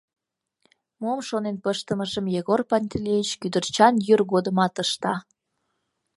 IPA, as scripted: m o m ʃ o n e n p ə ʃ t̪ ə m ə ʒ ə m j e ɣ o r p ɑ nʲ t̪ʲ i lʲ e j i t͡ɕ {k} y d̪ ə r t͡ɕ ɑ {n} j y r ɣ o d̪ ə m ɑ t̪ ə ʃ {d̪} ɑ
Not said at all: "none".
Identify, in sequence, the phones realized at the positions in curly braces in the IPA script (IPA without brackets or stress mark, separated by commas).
k, n, t̪